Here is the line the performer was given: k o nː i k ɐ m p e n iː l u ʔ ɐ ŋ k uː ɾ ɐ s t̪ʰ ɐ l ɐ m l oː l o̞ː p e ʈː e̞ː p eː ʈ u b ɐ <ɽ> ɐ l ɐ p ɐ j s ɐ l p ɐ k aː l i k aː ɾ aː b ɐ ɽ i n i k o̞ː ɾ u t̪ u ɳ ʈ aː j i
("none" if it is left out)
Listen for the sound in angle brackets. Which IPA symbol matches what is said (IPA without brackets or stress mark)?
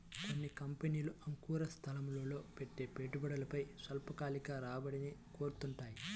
ɽ